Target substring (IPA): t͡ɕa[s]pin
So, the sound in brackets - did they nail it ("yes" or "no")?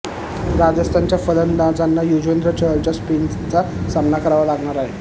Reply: yes